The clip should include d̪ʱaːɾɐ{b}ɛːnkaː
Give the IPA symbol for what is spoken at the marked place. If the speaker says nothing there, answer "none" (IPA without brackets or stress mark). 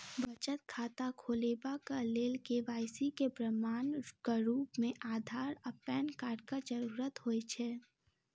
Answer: p